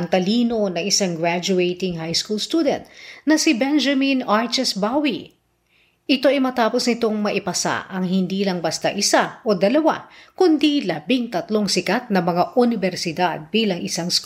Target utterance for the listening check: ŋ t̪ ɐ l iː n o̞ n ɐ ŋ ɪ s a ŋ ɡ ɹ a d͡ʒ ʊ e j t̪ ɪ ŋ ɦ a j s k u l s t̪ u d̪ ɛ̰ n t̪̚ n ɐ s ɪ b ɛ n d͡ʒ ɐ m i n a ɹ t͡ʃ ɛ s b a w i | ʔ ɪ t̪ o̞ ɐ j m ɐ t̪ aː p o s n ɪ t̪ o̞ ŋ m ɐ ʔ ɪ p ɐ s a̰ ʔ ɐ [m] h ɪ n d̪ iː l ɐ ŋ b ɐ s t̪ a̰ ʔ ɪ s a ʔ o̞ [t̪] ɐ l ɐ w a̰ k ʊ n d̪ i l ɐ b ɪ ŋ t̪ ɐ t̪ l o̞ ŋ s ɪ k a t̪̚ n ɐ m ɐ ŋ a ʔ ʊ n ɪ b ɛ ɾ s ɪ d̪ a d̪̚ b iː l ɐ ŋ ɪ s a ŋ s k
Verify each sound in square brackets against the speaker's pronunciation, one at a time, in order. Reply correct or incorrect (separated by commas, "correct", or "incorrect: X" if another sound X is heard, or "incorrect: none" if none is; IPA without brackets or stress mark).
incorrect: ŋ, incorrect: d̪